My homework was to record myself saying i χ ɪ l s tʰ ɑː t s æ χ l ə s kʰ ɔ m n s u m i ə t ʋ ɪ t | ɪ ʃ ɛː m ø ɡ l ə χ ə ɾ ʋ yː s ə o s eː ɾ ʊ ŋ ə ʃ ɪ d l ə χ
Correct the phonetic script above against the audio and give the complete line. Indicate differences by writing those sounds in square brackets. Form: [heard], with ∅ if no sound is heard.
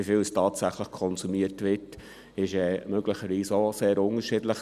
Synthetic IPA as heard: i [f] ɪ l s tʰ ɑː t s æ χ l ə [χ] kʰ ɔ [∅] n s u m i ə t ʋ ɪ t | ɪ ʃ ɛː m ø ɡ l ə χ ə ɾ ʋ [iː] s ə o s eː ɾ ʊ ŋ ə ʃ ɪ d l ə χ

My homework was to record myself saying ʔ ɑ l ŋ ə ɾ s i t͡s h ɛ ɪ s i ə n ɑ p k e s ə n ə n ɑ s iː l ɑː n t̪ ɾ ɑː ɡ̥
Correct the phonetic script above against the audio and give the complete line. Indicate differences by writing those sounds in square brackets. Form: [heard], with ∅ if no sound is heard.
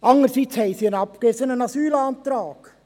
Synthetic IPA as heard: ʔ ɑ [∅] ŋ ə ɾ s i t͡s h ɛ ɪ s i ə n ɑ p k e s ə n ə n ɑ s [yː] l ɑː n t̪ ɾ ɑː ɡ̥

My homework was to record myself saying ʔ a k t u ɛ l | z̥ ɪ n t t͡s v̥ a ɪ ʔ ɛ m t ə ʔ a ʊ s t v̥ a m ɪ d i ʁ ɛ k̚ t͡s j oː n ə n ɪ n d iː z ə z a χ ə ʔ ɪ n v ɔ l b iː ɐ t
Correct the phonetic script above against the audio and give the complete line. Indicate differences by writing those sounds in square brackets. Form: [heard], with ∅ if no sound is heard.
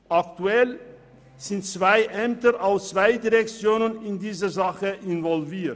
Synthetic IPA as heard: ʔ a k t u ɛ l | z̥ ɪ n t t͡s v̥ a ɪ ʔ ɛ m t ə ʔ a ʊ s [t͡s] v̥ a [∅] ɪ d i ʁ ɛ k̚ t͡s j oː n ə n ɪ n d iː z ə z a χ ə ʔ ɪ n v ɔ l [v] iː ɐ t

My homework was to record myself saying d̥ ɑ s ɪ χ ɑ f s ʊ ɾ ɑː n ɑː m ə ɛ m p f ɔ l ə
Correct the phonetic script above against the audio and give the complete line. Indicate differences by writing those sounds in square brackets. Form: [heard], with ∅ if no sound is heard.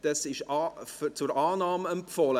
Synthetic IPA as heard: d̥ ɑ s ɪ [ʃ] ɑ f [t͡s] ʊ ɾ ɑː n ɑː m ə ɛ m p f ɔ l ə

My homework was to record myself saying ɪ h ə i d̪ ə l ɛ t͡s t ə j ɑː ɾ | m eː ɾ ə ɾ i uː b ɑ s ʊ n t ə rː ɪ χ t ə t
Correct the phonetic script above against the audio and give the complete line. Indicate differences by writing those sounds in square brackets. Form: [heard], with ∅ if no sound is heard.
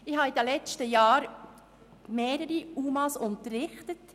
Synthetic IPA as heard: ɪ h [ɑ] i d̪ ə l ɛ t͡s t ə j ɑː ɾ | m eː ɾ ə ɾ i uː [m] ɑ s ʊ n t ə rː ɪ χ t ə t

